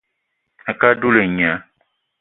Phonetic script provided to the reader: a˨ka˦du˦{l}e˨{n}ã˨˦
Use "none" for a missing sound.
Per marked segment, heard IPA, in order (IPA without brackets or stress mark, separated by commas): l, ɲ